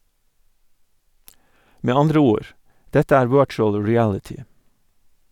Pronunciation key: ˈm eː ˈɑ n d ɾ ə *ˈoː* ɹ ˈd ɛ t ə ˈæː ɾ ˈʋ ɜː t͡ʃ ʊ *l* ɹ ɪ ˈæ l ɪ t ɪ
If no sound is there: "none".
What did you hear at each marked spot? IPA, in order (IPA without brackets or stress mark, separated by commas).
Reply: uː, l